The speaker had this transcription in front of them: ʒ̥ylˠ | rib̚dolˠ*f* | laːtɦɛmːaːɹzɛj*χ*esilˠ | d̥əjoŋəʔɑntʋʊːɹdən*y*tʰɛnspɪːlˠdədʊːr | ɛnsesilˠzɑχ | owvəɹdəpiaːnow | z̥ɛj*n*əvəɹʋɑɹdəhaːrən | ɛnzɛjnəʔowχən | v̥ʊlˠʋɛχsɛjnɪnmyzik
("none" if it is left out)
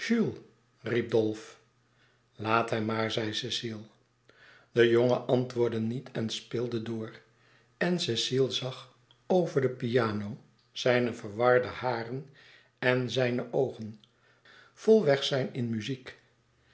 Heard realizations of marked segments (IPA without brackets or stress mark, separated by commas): f, s, i, n